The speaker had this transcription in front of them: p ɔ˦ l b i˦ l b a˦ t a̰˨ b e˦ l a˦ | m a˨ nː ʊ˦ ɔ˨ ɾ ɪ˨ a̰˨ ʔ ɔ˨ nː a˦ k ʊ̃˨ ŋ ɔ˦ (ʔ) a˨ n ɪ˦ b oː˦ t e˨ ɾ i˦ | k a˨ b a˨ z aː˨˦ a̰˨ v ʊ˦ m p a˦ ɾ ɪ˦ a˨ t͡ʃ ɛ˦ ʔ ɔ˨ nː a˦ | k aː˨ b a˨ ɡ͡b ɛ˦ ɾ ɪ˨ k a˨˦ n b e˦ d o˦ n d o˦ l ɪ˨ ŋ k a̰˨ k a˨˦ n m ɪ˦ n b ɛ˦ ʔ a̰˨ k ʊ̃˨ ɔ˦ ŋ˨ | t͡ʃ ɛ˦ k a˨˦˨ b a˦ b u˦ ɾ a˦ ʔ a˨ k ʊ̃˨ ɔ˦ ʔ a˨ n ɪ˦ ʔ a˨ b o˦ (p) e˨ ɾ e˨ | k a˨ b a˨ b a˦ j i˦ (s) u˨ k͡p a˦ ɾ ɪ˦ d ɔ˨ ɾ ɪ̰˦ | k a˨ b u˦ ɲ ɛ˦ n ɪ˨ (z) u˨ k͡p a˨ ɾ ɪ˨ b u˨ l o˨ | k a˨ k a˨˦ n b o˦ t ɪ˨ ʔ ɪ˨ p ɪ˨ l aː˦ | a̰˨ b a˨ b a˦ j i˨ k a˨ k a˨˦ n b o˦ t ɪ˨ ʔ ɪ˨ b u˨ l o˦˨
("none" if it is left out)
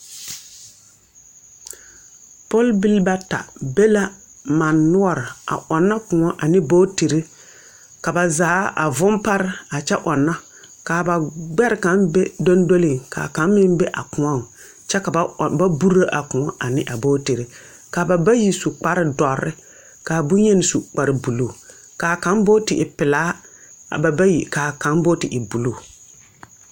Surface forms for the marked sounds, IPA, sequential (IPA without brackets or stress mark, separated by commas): ʔ, t, s, s